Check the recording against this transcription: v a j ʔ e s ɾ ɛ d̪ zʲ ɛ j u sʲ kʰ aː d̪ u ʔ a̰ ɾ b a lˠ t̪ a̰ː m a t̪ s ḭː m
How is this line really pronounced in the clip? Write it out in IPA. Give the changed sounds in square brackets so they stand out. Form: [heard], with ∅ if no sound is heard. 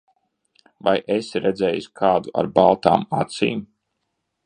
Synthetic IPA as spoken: v a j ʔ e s ɾ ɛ d̪ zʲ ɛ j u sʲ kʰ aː d̪ u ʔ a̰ ɾ b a lˠ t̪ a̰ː m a t̪ s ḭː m